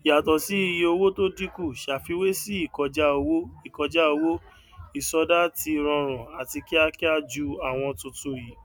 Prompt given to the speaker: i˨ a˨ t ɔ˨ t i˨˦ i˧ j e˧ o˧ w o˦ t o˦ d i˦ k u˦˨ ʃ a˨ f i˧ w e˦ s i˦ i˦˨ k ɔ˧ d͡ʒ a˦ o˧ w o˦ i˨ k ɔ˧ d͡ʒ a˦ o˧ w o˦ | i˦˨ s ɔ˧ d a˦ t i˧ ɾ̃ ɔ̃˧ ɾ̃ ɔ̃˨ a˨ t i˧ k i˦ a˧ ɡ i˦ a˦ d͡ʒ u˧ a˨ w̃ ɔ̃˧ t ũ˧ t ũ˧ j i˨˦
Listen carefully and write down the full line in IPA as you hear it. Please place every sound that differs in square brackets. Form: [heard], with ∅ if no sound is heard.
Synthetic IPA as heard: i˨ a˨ t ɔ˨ [s] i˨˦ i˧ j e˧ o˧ w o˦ t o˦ d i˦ k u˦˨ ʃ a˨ f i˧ w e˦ s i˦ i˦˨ k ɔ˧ d͡ʒ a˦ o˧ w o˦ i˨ k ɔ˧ d͡ʒ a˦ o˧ w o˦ | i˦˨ s ɔ˧ d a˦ t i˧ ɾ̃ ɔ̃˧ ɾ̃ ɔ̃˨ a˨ t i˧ k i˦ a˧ [k] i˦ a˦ d͡ʒ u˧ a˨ w̃ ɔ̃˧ t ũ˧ t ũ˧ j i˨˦